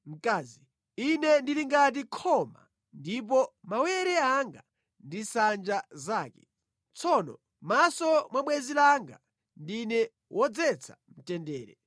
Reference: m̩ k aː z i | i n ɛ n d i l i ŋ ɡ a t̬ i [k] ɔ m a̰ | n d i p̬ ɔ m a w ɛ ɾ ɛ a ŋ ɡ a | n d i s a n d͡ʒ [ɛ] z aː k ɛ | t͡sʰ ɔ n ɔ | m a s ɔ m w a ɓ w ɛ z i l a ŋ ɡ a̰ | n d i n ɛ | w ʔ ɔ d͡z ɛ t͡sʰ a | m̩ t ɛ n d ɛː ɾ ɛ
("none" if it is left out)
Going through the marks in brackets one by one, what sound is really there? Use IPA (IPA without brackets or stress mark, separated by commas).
kʰ, a